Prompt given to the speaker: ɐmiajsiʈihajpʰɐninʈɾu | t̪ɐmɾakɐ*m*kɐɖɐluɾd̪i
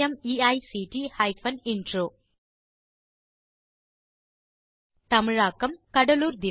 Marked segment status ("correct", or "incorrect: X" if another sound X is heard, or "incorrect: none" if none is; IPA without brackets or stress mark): correct